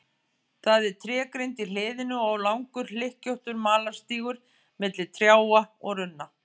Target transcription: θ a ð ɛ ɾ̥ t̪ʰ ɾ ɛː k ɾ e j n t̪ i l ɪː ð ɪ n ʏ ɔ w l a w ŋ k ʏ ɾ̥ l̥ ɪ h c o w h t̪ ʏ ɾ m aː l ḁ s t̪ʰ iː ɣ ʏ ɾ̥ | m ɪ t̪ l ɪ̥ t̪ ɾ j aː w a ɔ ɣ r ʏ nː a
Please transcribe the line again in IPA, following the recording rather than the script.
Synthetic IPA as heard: θ a ð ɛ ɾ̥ t̪ʰ ɾ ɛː k ɾ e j n t̪ i l ɪː ð ɪ n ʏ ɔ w l a w ŋ k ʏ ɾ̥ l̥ ɪ h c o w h t̪ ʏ ɾ m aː l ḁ s t̪ iː ɣ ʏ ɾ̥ | m ɪ t̪ l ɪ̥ t̪ʰ ɾ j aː w a ɔ ɣ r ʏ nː a